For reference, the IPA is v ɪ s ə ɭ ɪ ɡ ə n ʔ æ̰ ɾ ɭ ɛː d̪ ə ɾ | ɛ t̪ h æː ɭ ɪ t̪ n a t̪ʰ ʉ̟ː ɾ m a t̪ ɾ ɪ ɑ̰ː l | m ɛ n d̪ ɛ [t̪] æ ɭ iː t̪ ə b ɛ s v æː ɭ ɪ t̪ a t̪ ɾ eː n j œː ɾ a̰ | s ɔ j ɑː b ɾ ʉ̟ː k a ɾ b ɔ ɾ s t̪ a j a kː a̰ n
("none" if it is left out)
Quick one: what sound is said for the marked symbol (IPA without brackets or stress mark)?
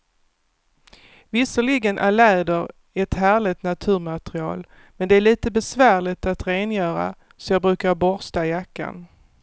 none